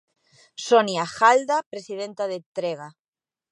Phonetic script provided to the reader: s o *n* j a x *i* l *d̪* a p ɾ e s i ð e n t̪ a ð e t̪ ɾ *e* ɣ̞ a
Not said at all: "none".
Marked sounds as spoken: n, a, d̪, e

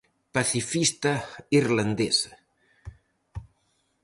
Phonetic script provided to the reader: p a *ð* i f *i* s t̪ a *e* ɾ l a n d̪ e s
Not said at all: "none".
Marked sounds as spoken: θ, i, i

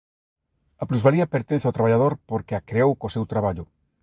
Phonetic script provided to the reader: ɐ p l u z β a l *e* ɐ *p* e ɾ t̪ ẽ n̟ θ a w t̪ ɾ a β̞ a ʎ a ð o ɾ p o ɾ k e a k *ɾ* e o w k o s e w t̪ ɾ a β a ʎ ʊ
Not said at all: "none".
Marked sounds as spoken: i, p, ɾ

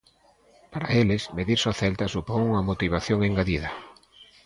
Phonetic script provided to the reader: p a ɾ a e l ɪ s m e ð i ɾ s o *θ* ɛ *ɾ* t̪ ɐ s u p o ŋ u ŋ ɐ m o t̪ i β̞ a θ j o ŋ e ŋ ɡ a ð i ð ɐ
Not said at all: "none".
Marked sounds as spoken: θ, l

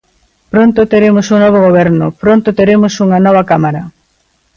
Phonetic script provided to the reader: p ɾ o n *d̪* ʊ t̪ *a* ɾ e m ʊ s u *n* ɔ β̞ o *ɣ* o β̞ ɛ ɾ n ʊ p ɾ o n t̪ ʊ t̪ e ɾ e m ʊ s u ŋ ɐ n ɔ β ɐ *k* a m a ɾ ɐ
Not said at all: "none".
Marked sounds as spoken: t̪, e, n, ɣ, k

